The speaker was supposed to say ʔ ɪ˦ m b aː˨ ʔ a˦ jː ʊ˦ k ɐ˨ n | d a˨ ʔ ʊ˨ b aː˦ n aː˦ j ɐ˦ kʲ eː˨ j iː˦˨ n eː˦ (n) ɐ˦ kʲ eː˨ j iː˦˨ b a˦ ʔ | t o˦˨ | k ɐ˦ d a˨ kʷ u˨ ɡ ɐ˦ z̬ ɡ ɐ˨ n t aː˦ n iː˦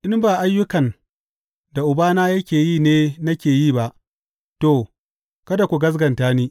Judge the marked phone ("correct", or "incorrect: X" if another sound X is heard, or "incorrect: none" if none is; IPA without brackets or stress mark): correct